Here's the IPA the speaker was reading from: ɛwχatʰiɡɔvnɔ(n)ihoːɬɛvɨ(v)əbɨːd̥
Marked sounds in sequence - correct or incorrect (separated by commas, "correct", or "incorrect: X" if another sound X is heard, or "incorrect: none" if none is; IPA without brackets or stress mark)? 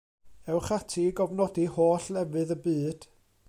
incorrect: d, incorrect: ð